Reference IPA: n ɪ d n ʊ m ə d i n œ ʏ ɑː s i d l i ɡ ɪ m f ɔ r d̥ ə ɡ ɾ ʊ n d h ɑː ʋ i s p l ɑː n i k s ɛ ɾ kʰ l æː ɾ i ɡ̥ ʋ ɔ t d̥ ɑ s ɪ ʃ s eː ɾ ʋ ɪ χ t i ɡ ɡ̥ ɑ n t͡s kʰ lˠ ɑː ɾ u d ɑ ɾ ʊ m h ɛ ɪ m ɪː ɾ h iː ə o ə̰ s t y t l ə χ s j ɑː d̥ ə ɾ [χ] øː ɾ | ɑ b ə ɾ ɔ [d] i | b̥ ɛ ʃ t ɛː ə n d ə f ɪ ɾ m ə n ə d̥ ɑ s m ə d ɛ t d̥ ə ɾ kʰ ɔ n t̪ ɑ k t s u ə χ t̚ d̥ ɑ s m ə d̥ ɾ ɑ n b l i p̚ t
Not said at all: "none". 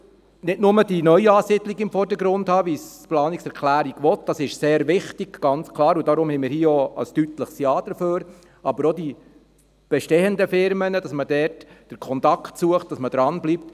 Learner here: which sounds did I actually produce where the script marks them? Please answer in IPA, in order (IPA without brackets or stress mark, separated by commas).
f, d